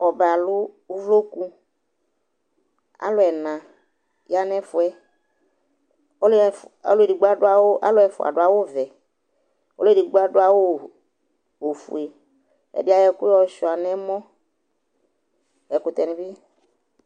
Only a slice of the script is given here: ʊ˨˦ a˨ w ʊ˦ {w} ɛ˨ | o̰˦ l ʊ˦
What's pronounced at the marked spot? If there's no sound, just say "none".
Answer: v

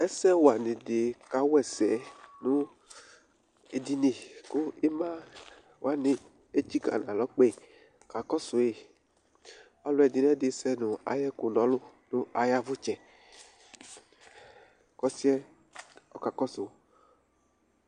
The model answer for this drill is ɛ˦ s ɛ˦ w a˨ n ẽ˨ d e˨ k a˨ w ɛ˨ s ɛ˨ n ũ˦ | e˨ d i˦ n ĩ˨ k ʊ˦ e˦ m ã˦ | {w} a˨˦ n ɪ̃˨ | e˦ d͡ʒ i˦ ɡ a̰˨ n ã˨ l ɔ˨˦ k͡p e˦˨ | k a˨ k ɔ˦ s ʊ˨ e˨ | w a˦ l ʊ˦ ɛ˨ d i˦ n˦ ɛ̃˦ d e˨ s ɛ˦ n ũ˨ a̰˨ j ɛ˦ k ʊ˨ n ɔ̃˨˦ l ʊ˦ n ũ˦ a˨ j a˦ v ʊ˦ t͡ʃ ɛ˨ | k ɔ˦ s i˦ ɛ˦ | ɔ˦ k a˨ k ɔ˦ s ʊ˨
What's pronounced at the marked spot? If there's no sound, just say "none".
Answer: w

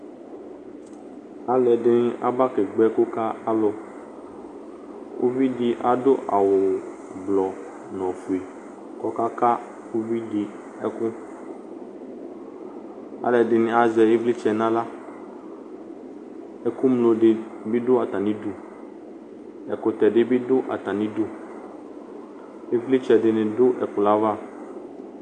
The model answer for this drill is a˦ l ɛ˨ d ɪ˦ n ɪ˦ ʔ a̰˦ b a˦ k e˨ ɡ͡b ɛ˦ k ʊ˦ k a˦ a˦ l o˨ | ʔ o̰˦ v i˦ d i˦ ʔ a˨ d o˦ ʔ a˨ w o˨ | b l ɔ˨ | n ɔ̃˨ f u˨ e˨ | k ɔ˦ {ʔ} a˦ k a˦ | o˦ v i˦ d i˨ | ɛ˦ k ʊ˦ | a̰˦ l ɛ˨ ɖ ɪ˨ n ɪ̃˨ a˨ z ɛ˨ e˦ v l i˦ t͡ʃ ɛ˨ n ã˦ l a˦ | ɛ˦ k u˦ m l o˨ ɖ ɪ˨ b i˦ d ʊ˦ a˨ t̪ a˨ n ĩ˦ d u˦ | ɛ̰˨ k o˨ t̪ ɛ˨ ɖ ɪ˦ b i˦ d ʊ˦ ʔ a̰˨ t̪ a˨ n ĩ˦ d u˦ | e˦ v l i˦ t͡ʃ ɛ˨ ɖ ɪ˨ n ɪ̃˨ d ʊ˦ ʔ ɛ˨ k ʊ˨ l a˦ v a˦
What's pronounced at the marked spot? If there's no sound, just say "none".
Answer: k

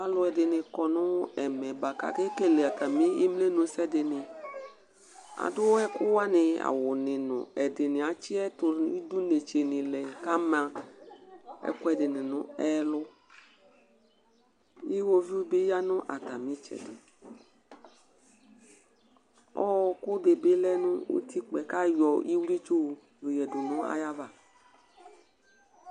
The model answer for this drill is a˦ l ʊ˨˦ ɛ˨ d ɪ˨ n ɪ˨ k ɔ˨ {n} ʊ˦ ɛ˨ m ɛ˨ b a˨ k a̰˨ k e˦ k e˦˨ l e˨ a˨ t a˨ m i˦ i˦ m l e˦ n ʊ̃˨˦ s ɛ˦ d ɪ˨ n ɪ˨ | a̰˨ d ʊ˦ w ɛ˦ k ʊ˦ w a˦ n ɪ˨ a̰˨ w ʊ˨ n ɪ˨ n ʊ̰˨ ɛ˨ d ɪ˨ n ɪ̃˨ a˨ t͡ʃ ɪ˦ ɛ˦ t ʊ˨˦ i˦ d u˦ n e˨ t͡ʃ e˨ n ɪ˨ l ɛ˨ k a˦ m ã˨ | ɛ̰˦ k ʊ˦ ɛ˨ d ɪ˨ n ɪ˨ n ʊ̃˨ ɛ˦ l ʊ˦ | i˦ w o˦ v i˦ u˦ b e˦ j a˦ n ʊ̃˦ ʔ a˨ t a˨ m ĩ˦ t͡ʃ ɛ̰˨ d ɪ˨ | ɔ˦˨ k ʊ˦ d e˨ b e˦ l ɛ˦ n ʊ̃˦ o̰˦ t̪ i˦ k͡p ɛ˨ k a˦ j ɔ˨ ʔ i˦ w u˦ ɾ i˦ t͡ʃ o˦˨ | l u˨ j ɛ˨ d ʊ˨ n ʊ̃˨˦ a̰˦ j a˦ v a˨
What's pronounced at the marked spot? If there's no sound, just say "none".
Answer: n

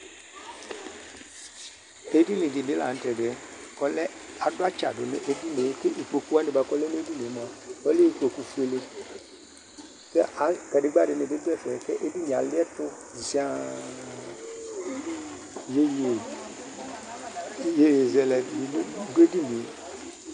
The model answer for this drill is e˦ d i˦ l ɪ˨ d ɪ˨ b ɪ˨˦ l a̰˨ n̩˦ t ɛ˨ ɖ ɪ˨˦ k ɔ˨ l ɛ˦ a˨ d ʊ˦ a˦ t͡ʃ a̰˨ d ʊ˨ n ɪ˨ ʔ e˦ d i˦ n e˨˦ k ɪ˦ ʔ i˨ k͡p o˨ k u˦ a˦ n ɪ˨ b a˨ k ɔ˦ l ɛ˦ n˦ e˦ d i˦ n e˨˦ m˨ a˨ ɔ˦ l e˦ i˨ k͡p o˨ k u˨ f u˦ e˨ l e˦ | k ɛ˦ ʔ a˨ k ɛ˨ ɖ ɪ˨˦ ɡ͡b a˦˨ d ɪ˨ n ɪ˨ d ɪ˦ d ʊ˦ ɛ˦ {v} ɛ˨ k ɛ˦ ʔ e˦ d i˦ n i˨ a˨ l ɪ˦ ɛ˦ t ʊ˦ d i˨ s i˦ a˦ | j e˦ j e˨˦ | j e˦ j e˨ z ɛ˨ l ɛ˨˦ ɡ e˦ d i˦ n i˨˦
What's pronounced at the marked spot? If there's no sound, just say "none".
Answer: f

